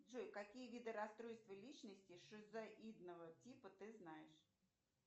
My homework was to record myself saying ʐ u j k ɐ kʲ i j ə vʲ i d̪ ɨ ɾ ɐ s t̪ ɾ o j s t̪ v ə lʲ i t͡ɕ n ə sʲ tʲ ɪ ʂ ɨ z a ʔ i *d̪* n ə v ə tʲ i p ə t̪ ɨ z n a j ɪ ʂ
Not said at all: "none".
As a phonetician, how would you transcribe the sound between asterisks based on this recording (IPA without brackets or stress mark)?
d̪